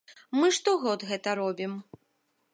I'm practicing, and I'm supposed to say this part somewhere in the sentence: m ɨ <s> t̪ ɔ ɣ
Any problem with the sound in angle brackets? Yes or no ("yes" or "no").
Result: yes